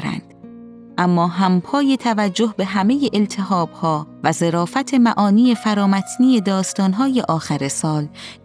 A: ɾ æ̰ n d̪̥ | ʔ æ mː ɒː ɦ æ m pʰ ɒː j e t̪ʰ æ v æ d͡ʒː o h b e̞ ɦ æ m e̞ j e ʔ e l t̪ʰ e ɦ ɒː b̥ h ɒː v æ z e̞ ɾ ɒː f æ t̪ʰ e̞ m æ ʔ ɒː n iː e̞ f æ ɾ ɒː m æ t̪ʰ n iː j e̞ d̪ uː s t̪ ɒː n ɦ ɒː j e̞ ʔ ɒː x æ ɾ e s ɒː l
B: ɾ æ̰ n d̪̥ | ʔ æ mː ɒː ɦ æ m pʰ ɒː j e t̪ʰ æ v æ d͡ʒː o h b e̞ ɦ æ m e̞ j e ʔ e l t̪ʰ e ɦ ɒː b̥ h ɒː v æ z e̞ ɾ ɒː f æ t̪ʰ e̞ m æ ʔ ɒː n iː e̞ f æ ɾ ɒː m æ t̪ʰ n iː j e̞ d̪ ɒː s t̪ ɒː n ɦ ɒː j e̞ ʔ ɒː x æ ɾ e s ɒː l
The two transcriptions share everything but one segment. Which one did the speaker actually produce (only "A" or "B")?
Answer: B